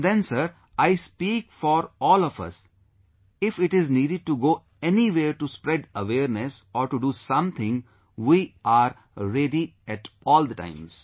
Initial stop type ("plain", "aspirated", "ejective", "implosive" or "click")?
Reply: plain